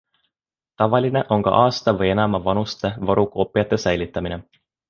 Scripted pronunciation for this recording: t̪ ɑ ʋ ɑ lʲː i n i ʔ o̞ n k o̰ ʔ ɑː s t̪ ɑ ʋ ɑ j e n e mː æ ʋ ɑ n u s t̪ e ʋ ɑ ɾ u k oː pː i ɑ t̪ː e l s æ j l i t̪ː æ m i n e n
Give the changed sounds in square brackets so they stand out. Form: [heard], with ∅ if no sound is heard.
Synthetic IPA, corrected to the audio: t̪ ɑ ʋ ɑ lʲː i n [e] ʔ o̞ [ŋ] k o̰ ʔ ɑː s t̪ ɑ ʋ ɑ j e n [æ] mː æ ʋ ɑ n u s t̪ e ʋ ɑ ɾ u k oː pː i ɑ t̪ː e [∅] s æ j l i t̪ː æ m i n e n